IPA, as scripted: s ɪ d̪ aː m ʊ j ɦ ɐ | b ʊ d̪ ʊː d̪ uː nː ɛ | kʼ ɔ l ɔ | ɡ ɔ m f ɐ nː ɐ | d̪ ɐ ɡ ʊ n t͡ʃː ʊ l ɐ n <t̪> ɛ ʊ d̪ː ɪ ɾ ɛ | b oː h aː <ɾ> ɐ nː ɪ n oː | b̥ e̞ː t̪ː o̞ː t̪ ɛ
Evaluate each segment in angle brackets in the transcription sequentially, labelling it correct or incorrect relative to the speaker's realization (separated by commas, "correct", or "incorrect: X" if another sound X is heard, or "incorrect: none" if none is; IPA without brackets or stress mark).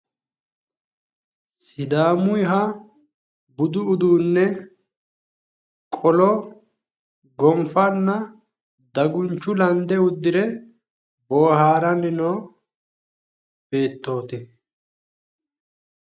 incorrect: d̪, correct